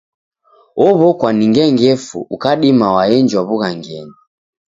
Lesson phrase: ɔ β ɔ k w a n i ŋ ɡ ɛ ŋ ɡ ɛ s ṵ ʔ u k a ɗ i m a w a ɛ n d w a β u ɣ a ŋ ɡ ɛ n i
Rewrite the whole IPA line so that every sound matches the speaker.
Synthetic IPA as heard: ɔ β ɔ k w a n i ŋ ɡ ɛ ŋ ɡ ɛ f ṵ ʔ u k a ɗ i m a w a ɛ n d͡ʒ w a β u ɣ a ŋ ɡ ɛ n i